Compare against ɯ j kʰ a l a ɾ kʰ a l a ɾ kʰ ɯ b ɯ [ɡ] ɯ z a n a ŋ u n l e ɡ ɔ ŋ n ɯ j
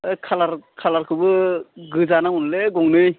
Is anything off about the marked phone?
no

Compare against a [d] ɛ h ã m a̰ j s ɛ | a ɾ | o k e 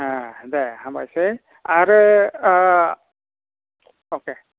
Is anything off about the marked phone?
no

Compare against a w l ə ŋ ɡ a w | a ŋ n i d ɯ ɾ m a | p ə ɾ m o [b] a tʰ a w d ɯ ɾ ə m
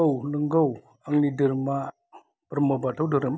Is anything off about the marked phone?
no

